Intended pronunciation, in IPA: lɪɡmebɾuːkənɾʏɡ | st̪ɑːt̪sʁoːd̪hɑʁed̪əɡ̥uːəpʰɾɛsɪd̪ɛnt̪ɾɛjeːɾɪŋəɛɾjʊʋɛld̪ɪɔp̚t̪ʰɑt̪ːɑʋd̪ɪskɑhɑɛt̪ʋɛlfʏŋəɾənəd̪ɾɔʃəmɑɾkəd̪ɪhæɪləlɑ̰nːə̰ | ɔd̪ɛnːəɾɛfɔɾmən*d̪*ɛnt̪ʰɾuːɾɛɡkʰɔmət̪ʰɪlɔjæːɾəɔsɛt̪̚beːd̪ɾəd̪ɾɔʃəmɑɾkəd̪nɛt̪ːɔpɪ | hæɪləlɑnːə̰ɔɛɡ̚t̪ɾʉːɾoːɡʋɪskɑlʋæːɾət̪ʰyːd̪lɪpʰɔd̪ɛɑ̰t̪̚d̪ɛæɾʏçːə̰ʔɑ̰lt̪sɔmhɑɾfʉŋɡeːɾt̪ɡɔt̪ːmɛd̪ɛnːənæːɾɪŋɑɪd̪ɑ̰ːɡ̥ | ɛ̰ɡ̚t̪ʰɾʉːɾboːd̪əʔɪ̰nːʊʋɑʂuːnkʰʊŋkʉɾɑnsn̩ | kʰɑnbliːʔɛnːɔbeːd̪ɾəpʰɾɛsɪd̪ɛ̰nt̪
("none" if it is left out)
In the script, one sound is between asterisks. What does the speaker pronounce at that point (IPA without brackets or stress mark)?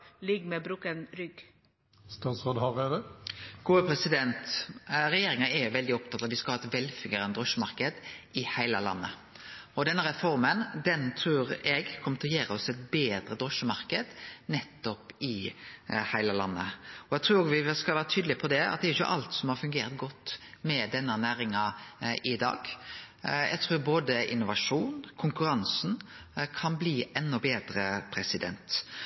d̪